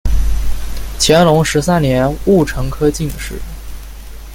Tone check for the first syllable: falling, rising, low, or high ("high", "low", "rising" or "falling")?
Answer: rising